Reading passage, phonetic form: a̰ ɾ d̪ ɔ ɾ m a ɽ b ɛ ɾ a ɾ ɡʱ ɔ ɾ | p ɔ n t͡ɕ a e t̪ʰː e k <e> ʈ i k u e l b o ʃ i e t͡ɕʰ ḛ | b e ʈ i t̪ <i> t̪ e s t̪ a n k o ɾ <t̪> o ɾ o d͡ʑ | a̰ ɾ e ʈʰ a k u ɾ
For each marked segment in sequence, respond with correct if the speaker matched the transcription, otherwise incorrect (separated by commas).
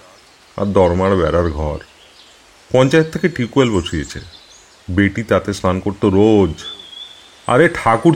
correct, incorrect, correct